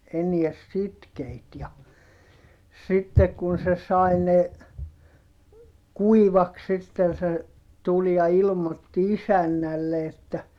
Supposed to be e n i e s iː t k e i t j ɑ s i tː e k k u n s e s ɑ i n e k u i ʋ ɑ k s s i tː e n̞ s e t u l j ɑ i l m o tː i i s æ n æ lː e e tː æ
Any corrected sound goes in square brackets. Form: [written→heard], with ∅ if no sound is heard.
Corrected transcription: e n i e s [iː→i] t k e i t j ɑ s i tː e k k u n s e s ɑ i n e k u i ʋ ɑ k s s i tː e n̞ s e t u l j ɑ i l m o tː i i s æ [n→nː] æ lː e e tː æ